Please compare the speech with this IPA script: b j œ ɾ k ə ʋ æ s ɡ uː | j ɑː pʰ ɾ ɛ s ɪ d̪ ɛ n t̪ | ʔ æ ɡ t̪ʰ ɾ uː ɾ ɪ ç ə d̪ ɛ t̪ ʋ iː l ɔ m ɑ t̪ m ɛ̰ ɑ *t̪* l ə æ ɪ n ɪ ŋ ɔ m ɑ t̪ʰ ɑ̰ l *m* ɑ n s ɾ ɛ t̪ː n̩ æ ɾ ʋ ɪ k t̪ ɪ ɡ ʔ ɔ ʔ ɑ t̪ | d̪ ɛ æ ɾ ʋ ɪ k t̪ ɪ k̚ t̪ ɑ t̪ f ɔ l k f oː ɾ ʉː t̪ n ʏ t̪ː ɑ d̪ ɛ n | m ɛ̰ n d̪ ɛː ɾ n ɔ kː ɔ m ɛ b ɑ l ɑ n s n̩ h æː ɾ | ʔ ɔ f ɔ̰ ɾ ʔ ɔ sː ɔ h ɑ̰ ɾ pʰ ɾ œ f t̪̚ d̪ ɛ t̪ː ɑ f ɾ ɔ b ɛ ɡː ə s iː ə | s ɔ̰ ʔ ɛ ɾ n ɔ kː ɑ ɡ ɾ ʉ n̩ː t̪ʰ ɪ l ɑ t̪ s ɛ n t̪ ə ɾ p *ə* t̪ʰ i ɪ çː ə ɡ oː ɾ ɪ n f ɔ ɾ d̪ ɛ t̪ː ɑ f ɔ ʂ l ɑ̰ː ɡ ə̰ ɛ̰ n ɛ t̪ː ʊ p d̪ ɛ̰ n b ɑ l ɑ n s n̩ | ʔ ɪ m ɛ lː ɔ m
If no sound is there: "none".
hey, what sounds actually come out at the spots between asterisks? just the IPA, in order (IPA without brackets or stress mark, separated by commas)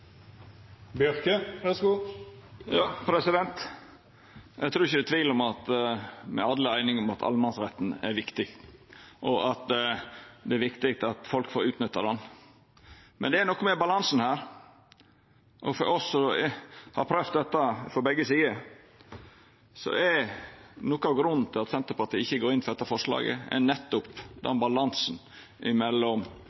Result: d̪, m, ɑ